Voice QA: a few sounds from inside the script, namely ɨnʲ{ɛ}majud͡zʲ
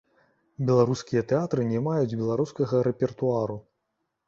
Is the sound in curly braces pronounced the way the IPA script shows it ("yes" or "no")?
yes